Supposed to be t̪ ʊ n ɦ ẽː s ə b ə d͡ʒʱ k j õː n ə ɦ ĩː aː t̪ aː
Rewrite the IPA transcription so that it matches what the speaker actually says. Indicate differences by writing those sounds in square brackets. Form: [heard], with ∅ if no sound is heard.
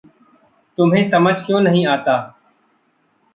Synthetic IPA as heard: t̪ ʊ [m] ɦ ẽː s ə [m] ə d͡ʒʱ k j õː n ə ɦ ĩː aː t̪ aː